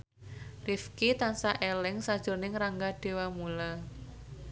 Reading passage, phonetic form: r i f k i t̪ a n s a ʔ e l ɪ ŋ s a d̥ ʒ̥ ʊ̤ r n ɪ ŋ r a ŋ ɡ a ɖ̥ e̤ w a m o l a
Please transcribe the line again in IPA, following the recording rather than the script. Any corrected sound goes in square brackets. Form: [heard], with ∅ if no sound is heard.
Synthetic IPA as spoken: r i f k i t̪ a n s a ʔ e l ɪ ŋ s a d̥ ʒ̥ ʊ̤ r n ɪ ŋ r a ŋ ɡ a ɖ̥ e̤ w a m [u] l a